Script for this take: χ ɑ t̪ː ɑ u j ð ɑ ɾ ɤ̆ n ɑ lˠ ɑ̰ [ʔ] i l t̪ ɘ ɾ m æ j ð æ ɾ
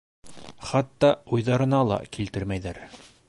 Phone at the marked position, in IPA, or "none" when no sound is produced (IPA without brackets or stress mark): k